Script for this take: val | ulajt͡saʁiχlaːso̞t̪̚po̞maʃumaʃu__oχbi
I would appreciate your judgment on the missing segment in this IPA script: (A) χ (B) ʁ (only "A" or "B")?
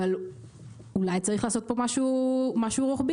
B